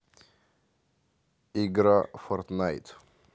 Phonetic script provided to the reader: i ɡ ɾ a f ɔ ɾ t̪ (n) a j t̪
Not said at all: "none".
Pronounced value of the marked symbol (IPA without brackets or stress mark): n